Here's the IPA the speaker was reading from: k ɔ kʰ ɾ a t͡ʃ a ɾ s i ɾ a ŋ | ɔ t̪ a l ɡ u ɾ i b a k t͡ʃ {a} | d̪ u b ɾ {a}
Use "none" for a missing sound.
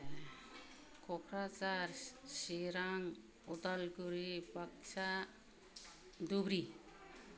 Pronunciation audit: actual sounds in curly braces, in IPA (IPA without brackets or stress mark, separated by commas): a, i